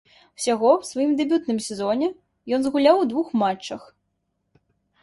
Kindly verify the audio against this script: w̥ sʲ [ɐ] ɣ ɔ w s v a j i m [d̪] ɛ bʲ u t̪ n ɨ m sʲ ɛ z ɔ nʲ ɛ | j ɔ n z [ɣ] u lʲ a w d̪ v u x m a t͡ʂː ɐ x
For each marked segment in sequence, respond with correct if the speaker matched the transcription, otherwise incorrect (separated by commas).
incorrect, correct, correct